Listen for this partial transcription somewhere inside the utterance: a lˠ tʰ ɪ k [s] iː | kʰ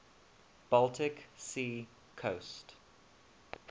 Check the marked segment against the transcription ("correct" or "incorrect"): correct